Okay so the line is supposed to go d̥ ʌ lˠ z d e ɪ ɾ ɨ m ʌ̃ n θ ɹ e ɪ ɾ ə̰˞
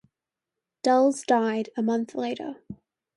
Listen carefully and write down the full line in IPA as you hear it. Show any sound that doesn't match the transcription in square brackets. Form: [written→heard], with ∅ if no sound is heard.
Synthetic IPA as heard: d̥ ʌ lˠ z d [e→a] ɪ ɾ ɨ m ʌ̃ n θ [ɹ→l] e ɪ ɾ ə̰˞